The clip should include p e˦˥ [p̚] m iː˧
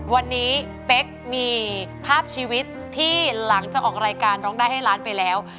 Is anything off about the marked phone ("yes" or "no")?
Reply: yes